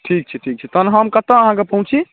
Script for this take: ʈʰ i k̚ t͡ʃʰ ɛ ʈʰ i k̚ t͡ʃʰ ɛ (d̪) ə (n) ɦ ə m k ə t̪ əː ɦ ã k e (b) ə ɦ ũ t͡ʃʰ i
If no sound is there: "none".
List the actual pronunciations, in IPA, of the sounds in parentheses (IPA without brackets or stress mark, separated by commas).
t̪, n, p